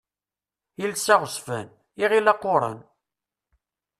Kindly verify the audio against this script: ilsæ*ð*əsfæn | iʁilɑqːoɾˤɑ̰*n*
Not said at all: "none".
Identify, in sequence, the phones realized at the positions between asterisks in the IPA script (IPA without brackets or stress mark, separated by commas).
ʁ, n